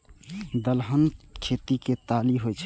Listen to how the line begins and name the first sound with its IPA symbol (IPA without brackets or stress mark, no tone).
d̪